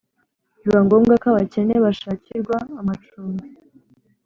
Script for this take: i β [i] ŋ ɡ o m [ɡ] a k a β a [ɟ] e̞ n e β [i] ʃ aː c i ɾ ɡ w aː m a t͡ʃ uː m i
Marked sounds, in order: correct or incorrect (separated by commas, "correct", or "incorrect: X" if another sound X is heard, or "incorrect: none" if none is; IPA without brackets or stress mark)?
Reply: incorrect: a, correct, incorrect: c, incorrect: a